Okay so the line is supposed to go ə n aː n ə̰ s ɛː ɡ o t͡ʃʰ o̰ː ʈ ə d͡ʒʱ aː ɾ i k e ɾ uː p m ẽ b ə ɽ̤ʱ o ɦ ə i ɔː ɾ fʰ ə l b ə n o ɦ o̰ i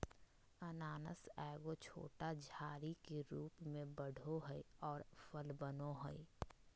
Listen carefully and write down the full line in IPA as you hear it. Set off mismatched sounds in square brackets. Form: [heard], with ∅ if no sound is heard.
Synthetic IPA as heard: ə n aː n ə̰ s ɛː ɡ o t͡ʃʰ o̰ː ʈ [a] d͡ʒʱ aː ɾ i k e ɾ uː p m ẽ b ə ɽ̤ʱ o ɦ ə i ɔː ɾ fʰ ə l b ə n o ɦ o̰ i